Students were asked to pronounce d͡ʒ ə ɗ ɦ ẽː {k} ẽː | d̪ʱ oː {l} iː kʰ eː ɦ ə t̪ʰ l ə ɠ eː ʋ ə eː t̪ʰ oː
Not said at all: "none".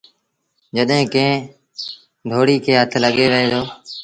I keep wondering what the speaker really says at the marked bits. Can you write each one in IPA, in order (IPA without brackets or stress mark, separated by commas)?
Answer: k, ɽ